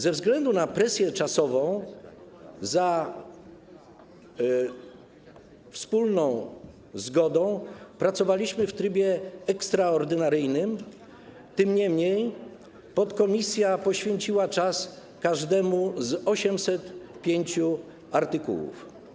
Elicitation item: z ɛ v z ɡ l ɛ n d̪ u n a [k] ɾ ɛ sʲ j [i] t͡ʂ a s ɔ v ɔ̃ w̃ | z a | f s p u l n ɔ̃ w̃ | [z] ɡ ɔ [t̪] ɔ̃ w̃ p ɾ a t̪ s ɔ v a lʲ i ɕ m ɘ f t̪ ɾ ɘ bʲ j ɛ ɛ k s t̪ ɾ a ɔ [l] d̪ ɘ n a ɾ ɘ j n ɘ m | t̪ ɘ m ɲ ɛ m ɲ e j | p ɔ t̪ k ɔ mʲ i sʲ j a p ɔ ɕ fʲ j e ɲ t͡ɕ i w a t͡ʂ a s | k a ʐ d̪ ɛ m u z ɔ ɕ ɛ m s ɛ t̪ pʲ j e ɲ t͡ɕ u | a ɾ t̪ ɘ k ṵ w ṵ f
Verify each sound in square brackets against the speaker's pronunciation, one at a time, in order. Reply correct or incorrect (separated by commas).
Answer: incorrect, incorrect, correct, incorrect, incorrect